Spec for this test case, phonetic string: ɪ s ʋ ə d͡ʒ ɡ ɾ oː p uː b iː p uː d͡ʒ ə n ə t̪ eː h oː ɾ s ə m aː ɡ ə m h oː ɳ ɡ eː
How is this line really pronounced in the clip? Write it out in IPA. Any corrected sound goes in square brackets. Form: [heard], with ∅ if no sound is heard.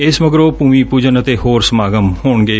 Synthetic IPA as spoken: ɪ s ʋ ə [∅] ɡ ɾ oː p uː [m] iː p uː d͡ʒ ə n ə t̪ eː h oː ɾ s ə m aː ɡ ə m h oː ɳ ɡ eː